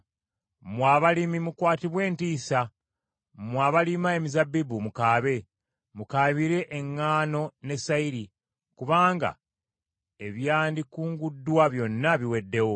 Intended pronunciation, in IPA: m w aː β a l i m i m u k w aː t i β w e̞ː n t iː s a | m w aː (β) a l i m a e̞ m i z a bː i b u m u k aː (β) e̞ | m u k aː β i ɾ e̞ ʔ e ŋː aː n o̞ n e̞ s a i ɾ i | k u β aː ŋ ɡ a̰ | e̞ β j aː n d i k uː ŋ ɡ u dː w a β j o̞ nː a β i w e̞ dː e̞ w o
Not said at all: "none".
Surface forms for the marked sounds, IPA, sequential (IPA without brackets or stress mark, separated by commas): β, β